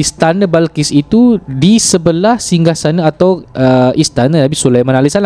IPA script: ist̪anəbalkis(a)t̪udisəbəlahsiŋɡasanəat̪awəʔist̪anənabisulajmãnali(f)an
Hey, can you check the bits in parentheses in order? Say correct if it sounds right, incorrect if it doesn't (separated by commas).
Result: incorrect, incorrect